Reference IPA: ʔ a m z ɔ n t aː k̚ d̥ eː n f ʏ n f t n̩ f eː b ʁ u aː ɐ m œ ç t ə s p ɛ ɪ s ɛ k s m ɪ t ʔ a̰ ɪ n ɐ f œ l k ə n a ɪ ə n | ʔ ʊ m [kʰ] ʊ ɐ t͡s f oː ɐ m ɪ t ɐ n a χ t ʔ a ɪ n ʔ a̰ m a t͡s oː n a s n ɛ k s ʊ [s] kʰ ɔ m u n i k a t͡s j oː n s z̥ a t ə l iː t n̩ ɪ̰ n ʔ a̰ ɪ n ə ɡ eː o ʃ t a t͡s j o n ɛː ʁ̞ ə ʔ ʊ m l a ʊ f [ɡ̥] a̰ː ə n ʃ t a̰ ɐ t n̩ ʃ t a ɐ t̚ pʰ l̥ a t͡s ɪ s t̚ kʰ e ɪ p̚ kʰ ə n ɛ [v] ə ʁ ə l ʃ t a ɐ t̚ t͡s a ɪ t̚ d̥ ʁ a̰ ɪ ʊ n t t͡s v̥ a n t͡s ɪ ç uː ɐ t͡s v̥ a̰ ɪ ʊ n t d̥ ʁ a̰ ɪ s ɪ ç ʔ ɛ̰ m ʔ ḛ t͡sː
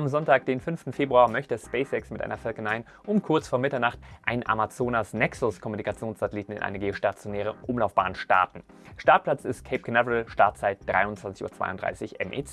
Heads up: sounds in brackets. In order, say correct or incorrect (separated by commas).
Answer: correct, correct, incorrect, correct